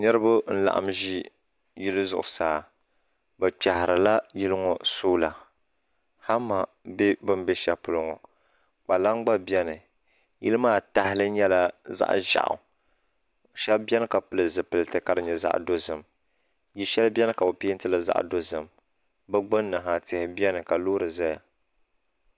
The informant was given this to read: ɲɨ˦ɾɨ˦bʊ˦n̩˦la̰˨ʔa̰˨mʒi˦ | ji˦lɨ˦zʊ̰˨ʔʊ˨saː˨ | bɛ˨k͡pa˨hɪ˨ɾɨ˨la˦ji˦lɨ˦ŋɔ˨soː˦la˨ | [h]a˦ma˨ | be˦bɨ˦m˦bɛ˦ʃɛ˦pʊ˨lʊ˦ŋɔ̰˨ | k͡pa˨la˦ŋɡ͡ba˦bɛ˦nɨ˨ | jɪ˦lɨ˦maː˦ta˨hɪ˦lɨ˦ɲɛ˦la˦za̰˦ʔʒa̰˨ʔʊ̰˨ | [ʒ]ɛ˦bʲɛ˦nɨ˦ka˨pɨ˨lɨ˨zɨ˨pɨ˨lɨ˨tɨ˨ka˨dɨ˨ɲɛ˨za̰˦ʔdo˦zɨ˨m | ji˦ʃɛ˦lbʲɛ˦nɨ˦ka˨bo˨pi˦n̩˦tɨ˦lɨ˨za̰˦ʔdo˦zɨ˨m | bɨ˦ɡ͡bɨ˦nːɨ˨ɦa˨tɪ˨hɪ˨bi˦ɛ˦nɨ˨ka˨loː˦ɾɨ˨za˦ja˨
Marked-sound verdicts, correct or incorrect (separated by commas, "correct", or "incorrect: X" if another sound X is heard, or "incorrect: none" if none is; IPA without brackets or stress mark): correct, incorrect: ʃ